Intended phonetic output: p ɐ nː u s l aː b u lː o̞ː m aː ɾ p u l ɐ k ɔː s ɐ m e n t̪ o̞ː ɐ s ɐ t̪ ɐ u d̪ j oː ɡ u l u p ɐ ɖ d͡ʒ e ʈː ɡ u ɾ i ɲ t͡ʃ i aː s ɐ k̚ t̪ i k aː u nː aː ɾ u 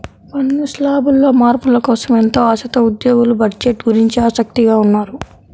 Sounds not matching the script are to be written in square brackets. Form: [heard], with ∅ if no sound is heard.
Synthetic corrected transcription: p ɐ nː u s l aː b u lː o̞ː m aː ɾ p u l ɐ k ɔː s ɐ m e n t̪ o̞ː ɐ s ɐ t̪ ɐ u d̪ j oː ɡ u l u [b] ɐ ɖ d͡ʒ e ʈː ɡ u ɾ i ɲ t͡ʃ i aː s ɐ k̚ t̪ i [ɡ] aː u nː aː ɾ u